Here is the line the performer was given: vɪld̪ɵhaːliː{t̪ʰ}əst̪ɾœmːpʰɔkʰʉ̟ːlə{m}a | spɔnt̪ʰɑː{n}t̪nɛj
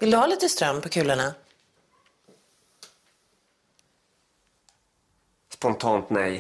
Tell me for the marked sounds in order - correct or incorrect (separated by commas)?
incorrect, incorrect, correct